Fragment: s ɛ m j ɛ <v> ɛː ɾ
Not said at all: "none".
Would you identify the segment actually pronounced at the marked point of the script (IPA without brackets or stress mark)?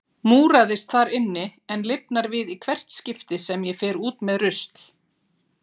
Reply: f